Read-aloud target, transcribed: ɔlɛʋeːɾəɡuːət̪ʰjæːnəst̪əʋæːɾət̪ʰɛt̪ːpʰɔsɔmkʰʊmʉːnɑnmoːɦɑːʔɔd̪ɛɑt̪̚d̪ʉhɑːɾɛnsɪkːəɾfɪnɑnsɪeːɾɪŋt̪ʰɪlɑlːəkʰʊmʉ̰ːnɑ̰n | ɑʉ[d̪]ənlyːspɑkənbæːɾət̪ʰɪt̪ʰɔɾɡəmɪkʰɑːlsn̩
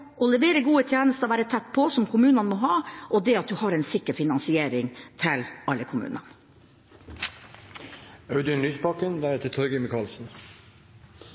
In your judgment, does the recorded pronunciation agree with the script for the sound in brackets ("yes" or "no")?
yes